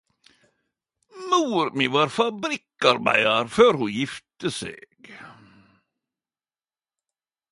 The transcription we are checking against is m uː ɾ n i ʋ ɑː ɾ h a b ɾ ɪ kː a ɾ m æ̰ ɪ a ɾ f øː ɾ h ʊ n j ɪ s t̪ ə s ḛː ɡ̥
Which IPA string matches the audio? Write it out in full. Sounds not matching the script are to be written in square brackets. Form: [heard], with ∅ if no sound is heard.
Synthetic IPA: m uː ɾ [m] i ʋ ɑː ɾ [f] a b ɾ ɪ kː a ɾ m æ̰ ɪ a ɾ f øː ɾ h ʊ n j ɪ [f] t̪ ə s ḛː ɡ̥